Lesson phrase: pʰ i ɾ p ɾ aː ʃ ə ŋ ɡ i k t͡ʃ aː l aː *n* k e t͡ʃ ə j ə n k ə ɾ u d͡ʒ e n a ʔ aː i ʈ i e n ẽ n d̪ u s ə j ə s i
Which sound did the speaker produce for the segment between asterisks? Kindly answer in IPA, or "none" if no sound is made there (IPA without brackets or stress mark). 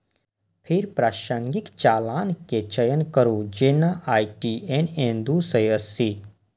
n